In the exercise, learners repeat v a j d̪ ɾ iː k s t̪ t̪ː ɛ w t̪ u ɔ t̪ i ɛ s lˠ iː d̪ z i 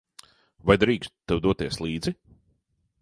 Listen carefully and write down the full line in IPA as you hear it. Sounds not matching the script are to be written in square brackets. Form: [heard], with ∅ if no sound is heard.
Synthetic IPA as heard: v a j d̪ ɾ iː k s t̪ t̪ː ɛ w [d̪] u ɔ t̪ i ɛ s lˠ iː d̪ z i